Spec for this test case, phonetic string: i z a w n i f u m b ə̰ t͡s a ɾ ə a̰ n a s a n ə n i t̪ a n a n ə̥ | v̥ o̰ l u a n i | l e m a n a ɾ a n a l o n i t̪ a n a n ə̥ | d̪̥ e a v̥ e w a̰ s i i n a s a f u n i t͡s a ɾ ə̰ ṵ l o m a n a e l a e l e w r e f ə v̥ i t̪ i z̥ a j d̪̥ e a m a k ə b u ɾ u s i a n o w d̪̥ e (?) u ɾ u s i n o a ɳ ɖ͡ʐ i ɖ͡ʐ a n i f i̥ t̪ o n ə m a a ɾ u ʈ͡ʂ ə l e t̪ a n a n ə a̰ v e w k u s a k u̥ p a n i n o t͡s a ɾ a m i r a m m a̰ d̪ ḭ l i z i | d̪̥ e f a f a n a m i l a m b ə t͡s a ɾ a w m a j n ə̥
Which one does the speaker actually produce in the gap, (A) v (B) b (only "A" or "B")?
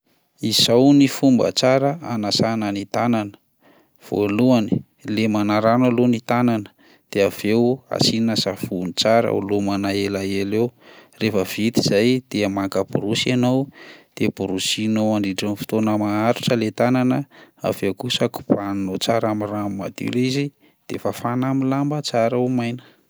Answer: B